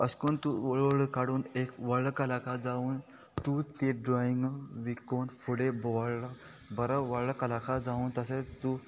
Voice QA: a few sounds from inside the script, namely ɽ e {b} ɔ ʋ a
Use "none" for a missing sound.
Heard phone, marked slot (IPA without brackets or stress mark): b